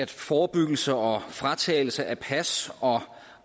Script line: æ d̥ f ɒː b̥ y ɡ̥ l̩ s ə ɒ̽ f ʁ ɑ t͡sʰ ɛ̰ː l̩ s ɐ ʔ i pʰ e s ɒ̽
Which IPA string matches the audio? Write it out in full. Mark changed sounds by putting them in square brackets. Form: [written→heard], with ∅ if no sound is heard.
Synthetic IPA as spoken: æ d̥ f ɒː b̥ y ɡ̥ l̩ s ə ɒ̽ f ʁ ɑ t͡sʰ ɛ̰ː l̩ s [ɐ→ə] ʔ [i→æ] pʰ [e→æ] s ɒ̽